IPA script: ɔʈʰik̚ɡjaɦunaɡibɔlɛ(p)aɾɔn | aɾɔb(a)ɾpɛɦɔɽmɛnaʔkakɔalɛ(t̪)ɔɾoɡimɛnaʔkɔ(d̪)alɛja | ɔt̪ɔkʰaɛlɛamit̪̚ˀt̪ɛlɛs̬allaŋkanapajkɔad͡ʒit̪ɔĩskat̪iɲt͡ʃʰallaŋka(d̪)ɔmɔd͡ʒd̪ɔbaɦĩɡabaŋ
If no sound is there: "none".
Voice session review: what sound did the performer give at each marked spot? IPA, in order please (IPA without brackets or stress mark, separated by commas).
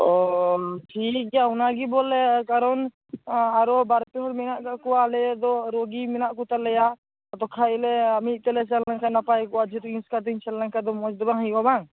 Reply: k, a, d̪, t̪, d̪